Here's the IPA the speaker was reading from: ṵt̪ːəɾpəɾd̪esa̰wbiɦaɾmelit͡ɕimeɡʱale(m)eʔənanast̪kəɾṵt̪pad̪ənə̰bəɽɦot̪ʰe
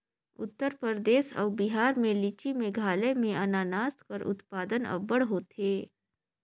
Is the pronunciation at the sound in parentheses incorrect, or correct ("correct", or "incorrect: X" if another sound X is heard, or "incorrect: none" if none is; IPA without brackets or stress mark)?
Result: correct